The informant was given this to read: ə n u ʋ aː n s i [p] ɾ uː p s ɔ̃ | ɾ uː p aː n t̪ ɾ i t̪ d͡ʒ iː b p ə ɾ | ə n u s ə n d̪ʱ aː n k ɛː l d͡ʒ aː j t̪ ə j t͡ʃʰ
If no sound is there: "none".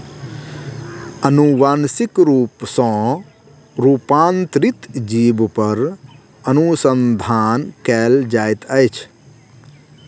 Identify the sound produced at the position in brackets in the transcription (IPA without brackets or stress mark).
k